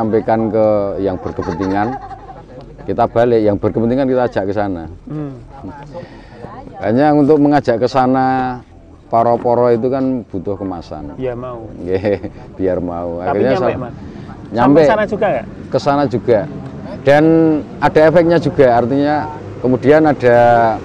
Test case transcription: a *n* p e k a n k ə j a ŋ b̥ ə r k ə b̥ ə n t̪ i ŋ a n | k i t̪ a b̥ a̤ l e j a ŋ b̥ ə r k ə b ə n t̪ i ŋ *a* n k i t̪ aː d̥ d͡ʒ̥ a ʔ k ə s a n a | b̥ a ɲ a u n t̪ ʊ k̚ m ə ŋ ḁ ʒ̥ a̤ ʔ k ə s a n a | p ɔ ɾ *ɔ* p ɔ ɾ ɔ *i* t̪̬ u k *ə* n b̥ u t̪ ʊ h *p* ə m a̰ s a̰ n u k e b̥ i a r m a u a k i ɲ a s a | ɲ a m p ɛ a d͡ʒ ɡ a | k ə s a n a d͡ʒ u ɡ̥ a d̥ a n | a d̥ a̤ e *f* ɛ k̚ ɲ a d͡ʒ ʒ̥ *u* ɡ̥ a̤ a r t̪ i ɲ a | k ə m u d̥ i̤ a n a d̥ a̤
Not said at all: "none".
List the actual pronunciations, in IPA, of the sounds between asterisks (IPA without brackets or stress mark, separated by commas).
m, a, ɔ, i, a, k, f, u